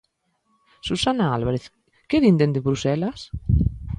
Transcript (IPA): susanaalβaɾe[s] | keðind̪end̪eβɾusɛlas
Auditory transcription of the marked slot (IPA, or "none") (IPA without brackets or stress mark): θ